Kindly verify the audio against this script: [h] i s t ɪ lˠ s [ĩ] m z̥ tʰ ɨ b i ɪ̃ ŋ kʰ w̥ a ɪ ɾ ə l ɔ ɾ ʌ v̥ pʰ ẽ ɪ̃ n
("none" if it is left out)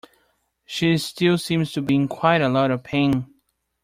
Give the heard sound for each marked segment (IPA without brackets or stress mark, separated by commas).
ʃ, ĩ